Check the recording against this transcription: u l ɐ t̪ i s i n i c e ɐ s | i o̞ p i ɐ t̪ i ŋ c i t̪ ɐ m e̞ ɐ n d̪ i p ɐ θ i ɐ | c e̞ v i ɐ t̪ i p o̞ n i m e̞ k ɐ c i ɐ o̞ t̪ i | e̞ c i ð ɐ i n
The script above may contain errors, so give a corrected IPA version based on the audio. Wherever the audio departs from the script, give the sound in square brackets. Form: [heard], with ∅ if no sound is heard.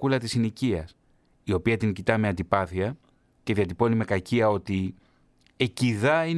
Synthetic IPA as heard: u l ɐ t̪ i s i n i c [i] ɐ s | i o̞ p i ɐ t̪ i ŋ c i t̪ ɐ m e̞ ɐ n d̪ i p ɐ θ i ɐ | c e̞ [ð] i ɐ t̪ i p o̞ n i m e̞ k ɐ c i ɐ o̞ t̪ i | e̞ c i ð ɐ i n